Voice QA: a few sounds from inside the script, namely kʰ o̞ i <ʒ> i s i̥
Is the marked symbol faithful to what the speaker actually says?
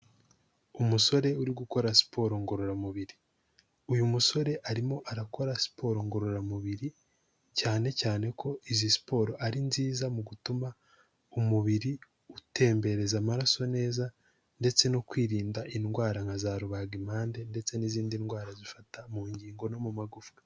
no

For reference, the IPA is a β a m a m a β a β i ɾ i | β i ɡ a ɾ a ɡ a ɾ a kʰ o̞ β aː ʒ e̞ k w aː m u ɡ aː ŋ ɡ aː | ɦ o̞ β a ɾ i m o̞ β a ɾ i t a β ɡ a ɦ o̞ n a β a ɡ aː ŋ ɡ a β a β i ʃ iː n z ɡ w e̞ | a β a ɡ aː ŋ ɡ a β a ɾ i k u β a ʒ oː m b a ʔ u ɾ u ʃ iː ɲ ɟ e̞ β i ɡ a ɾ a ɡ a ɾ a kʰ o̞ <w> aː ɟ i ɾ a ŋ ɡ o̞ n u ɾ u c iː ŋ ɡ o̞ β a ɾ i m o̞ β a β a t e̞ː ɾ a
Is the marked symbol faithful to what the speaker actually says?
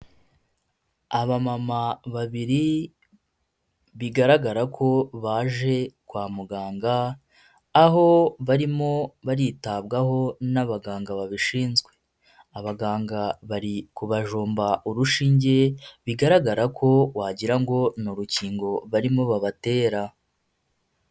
yes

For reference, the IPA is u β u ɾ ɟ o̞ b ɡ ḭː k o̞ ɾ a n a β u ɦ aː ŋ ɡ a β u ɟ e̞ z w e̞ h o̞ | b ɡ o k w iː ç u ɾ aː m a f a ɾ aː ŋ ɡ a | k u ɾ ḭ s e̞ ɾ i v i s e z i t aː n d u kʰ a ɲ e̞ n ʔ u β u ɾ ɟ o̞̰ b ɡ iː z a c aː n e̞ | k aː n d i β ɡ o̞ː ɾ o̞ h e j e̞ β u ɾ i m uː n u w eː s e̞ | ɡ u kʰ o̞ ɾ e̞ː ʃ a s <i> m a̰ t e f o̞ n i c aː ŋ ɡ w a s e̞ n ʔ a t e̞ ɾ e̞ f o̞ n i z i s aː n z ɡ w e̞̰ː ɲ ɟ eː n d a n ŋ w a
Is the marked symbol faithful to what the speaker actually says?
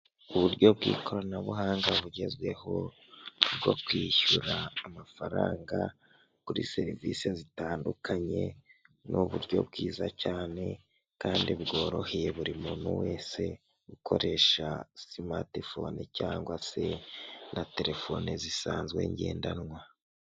yes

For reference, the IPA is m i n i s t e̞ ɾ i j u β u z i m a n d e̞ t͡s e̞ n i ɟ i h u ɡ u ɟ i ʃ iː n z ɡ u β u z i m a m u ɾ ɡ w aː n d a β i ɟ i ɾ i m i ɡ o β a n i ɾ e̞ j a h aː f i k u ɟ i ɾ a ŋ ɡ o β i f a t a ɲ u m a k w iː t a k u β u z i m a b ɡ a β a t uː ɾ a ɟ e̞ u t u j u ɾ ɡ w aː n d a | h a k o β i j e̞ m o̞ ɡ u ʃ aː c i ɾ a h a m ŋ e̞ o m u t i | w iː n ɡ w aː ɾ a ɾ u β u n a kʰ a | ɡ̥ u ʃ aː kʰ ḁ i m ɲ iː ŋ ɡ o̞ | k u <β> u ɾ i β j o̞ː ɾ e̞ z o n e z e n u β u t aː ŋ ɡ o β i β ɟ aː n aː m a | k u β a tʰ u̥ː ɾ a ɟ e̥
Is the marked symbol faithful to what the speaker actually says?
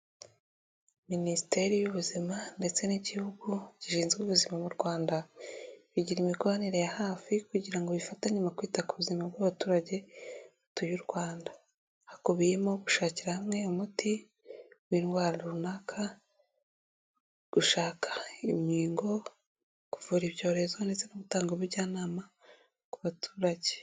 no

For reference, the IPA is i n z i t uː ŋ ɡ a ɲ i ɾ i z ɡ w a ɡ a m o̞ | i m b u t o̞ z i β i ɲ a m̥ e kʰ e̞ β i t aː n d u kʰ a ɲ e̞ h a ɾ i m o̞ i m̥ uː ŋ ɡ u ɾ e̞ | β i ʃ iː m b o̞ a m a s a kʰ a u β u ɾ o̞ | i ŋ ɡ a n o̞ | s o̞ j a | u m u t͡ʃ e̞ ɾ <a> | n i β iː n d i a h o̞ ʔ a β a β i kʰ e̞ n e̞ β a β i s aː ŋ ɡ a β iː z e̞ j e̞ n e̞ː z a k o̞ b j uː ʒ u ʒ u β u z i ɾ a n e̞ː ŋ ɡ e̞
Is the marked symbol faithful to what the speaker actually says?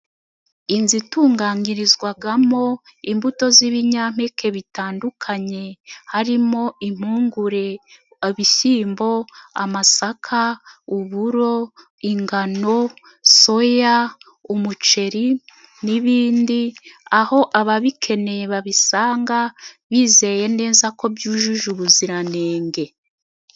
no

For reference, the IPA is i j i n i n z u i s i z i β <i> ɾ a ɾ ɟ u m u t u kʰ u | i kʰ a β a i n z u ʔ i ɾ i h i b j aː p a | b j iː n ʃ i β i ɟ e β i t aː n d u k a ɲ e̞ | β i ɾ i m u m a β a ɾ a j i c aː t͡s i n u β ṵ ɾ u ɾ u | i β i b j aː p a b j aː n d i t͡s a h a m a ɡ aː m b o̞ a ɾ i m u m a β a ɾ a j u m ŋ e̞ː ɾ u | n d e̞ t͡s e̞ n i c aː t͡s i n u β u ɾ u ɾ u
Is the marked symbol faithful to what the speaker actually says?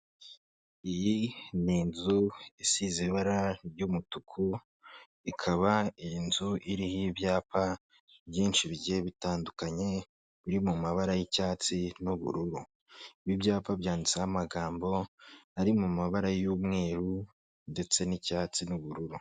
no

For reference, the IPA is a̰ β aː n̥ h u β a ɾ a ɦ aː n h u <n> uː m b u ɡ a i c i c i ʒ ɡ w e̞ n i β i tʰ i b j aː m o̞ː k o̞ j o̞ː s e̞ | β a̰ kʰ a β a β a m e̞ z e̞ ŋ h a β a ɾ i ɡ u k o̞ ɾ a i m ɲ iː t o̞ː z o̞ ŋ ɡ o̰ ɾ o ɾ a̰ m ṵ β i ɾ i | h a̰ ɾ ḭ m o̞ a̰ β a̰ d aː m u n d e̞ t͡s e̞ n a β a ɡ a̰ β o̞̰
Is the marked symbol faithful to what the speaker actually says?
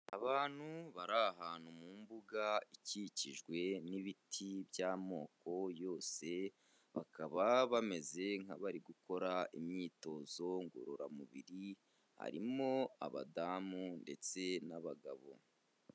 no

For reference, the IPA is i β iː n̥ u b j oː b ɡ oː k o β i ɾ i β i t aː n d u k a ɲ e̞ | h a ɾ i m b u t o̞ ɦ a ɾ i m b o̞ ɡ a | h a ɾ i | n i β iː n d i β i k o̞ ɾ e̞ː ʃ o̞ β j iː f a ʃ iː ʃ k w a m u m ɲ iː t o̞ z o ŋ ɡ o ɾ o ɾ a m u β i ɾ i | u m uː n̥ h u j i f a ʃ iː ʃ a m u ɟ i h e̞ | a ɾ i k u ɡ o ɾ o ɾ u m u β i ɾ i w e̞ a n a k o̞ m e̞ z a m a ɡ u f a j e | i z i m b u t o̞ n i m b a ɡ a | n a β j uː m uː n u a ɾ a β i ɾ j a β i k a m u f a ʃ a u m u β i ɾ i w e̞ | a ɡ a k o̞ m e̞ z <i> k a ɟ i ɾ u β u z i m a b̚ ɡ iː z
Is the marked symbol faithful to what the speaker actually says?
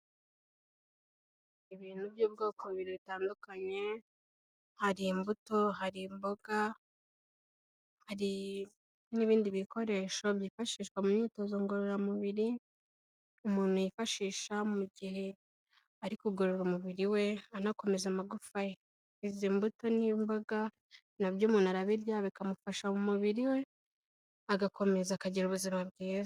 no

